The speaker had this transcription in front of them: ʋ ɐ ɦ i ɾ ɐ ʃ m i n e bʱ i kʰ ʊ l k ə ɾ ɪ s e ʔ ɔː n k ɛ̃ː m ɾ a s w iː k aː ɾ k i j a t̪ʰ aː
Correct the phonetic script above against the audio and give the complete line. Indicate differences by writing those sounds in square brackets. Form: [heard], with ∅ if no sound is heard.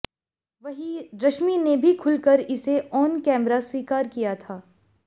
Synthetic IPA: ʋ ɐ ɦ i ɾ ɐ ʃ m i n e bʱ i kʰ ʊ l k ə ɾ ɪ s e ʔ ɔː n k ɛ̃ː m ɾ a s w iː k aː ɾ k i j a t̪ʰ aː